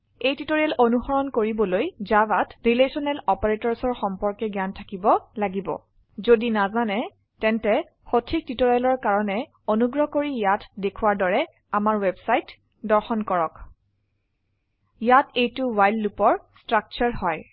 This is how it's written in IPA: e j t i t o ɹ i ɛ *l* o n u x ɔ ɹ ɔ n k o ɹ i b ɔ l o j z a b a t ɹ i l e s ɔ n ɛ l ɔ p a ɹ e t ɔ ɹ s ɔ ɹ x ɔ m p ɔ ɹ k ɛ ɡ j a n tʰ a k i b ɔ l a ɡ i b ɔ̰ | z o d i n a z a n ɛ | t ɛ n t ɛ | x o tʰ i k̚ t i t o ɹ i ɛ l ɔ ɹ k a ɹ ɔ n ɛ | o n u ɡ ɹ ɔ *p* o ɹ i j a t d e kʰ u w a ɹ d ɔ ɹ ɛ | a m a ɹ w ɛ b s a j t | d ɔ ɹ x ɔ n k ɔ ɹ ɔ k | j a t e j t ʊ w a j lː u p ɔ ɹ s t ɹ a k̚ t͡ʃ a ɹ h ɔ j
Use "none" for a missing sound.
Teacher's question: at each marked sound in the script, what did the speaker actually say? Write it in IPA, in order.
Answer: l, k

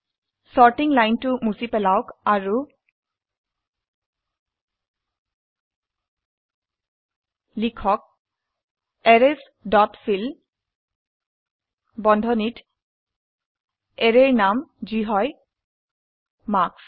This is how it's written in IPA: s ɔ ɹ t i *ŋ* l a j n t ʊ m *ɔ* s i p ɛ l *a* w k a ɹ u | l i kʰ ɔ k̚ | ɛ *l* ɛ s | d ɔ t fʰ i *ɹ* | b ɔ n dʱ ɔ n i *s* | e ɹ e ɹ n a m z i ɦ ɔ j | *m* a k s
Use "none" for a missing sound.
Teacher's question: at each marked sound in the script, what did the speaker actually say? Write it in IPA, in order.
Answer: ŋ, u, a, ɹ, l, t, m

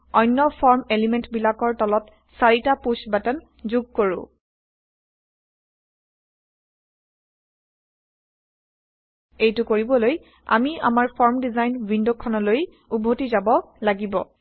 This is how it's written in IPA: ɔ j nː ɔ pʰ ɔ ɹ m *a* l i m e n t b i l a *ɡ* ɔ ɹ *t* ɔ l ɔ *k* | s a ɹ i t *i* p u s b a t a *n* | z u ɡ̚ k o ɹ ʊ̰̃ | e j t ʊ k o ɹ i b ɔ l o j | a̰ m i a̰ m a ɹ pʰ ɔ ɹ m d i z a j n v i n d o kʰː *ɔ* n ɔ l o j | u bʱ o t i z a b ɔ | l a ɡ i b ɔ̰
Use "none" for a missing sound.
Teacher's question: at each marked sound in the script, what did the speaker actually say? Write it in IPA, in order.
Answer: e, k, t, t, a, n, ɔ

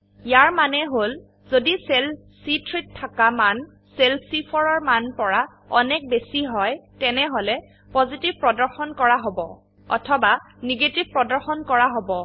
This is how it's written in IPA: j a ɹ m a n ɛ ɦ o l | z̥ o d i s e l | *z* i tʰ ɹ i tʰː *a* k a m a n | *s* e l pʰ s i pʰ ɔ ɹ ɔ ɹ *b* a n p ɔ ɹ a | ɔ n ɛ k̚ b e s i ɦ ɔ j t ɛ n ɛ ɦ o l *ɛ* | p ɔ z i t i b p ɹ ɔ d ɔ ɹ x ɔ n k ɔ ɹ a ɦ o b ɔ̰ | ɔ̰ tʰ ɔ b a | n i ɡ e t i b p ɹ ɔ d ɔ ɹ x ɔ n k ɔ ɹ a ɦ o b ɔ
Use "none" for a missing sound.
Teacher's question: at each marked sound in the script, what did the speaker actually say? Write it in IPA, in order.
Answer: s, a, s, m, ɛ

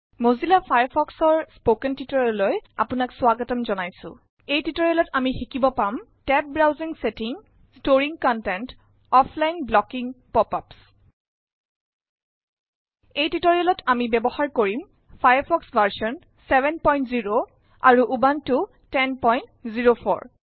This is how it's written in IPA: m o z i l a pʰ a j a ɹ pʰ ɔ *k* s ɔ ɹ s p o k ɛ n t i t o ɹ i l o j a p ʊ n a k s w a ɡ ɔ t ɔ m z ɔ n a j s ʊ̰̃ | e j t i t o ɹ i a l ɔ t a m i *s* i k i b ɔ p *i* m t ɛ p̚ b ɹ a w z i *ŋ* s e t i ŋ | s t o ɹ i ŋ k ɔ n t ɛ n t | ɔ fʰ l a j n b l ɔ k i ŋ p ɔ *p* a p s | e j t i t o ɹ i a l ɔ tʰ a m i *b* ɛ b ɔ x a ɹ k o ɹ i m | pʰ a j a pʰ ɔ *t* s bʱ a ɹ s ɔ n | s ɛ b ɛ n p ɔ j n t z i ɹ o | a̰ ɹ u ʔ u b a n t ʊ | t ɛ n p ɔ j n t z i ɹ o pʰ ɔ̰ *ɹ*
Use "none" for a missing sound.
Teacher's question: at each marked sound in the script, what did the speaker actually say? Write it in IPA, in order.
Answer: k, x, a, ŋ, p, b, k, ɹ

